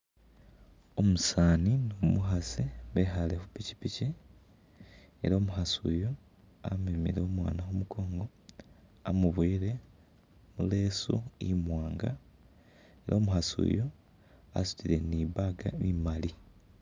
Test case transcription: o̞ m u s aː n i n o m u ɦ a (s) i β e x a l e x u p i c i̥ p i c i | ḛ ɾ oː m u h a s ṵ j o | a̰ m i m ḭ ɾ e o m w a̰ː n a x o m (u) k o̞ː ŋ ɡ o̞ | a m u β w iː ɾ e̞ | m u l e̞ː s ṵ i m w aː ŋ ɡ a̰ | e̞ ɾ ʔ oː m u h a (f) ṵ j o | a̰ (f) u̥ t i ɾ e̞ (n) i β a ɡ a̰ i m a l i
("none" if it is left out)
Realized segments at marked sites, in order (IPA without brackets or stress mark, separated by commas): s, u, s, s, n